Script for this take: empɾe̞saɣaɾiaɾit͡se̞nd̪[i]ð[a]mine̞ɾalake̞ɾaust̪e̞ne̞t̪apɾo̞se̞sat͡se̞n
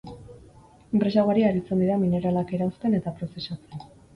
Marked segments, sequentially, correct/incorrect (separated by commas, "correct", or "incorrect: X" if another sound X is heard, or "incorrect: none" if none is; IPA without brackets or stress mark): correct, correct